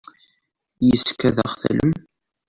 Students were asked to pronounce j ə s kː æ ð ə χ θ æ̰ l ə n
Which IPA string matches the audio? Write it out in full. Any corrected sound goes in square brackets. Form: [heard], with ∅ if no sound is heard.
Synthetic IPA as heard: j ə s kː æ ð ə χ θ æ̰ l ə [m]